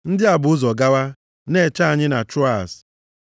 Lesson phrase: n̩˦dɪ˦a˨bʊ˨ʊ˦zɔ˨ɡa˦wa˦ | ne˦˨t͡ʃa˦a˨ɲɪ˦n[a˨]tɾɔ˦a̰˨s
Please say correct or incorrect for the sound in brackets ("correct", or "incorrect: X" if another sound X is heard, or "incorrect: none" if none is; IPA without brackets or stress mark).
correct